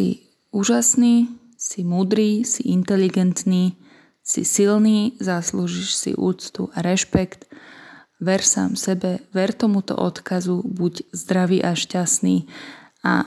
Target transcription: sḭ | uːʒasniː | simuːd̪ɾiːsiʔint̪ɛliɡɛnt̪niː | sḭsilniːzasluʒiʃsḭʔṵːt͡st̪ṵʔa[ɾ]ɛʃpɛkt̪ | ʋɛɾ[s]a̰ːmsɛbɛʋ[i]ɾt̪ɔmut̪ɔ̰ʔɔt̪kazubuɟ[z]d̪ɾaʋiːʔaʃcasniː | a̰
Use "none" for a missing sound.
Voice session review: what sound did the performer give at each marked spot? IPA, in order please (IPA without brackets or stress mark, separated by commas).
ɾ, s, ɛ, z